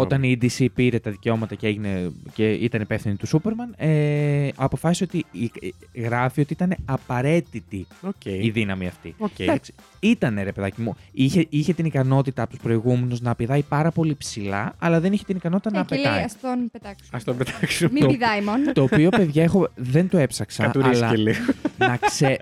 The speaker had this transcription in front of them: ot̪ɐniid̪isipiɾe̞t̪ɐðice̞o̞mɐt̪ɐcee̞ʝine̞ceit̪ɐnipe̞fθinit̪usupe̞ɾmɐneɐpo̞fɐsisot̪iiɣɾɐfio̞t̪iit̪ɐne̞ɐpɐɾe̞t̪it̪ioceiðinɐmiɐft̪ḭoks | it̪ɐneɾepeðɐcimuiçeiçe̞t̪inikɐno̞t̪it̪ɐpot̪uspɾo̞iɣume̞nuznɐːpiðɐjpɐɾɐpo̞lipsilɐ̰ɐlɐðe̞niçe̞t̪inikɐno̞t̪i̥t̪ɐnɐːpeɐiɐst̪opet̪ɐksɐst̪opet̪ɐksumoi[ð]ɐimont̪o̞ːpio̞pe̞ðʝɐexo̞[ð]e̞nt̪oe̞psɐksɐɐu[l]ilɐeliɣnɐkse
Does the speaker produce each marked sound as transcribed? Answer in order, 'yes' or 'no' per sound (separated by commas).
yes, yes, no